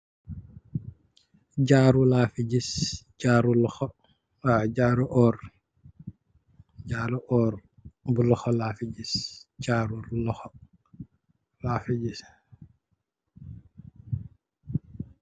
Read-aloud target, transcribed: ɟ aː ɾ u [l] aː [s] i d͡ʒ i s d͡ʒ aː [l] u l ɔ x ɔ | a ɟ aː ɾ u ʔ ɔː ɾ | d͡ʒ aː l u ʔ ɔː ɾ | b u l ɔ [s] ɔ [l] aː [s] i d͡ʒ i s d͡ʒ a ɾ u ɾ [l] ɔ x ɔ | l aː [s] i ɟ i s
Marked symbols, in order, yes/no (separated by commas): yes, no, no, no, yes, no, yes, no